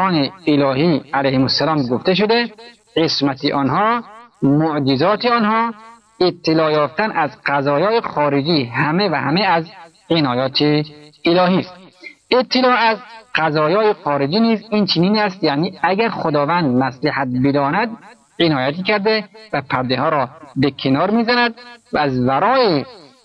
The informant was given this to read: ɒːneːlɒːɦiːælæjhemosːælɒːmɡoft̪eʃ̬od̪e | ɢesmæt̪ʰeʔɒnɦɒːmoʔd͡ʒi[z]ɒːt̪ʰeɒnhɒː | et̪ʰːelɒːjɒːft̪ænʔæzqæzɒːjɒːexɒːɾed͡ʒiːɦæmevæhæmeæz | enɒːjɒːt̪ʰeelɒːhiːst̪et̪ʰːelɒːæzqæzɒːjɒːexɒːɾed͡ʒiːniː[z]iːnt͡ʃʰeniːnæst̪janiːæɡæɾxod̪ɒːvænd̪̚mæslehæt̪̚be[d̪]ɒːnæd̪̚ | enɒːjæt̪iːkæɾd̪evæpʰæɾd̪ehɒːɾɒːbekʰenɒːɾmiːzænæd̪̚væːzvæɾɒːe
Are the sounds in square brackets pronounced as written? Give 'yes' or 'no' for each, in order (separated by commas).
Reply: yes, yes, yes